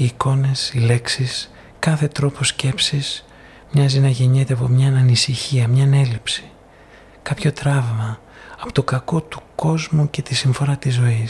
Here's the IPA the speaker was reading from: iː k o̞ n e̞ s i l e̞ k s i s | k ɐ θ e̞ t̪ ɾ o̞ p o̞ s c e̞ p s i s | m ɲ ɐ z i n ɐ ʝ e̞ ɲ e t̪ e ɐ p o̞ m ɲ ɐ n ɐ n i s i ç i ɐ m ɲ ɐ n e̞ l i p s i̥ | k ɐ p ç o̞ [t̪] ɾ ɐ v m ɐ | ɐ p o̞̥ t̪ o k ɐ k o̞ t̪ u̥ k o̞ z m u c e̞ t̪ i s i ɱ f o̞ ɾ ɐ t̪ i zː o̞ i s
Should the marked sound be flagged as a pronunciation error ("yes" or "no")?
no